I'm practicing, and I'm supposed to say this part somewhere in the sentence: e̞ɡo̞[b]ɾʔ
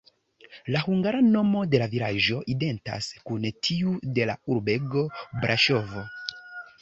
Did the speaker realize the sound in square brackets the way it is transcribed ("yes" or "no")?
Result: yes